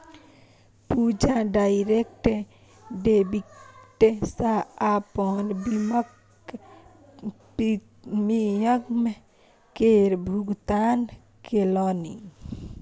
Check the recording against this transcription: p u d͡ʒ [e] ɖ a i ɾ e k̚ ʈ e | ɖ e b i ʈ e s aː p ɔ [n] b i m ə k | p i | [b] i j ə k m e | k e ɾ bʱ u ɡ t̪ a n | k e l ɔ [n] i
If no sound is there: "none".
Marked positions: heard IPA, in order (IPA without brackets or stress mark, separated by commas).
a, n, m, n